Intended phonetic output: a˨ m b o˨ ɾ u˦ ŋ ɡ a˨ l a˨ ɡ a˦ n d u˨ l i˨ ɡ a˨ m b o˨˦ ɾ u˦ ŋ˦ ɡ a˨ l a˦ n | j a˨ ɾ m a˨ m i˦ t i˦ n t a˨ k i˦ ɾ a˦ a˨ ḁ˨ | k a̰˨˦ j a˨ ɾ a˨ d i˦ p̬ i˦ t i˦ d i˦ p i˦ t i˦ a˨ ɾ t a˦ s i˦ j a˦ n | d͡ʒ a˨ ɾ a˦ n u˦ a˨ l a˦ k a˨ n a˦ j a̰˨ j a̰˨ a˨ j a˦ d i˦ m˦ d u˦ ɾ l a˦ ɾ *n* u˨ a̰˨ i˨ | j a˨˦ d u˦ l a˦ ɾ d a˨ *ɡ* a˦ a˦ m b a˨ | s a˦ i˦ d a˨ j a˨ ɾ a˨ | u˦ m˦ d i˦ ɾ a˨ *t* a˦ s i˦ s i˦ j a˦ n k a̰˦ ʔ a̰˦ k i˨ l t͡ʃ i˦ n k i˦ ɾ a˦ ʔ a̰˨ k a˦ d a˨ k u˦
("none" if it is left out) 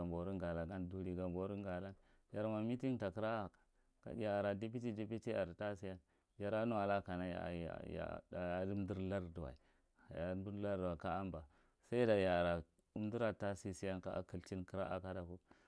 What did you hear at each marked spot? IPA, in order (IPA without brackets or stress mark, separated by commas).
d, k, t